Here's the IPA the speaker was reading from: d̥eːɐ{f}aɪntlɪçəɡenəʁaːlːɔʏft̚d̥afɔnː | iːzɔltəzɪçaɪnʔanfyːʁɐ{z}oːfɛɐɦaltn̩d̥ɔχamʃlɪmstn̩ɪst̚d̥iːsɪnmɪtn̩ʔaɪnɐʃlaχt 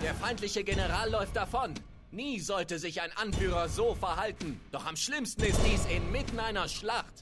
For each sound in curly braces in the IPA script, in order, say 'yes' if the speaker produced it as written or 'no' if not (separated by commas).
yes, yes